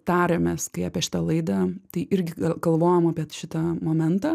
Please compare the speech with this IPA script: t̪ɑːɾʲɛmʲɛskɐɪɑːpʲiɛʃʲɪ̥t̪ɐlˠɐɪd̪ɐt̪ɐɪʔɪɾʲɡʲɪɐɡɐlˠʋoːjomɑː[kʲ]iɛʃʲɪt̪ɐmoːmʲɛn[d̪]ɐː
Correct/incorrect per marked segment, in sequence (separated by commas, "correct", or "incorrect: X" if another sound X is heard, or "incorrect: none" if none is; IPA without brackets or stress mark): incorrect: pʲ, incorrect: t̪